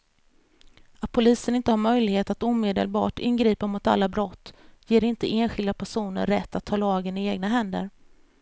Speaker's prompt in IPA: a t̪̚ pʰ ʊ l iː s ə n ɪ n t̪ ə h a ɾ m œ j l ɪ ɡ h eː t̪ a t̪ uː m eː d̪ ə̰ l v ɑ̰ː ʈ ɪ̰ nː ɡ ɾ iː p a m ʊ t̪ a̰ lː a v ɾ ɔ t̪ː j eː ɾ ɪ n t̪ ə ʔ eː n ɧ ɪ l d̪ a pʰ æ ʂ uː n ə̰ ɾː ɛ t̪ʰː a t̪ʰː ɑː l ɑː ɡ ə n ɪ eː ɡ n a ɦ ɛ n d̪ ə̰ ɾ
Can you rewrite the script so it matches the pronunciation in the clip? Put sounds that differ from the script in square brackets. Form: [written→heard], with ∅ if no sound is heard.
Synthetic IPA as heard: a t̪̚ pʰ ʊ l iː s ə n ɪ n t̪ ə h a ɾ m œ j l ɪ ɡ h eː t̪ a t̪ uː m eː d̪ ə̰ l [v→b] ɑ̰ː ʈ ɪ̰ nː ɡ ɾ iː p a m ʊ t̪ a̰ lː a [v→b] ɾ ɔ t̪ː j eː ɾ ɪ n t̪ ə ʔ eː n ɧ ɪ l d̪ a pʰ æ ʂ uː n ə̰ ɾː ɛ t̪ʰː a t̪ʰː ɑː l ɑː ɡ ə n ɪ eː ɡ n a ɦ ɛ n d̪ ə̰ ɾ